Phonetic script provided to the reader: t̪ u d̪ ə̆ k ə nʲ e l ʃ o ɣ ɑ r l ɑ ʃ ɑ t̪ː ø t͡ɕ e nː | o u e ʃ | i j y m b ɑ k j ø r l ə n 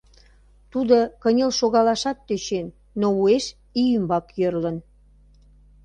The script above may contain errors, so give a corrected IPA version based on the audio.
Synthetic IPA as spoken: t̪ u d̪ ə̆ k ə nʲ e l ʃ o ɣ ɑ l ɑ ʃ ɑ t̪ː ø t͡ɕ e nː | o u e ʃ | i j y m b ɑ k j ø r l ə n